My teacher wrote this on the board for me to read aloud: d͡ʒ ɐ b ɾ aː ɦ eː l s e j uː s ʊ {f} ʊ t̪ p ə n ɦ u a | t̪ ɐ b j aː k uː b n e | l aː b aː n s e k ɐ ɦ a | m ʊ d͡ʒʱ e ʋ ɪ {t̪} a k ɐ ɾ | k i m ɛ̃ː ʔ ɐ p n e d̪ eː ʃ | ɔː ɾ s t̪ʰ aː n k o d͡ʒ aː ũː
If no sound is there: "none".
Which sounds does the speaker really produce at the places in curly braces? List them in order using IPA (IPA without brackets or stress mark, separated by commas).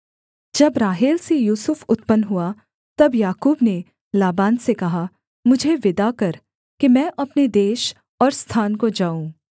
f, d̪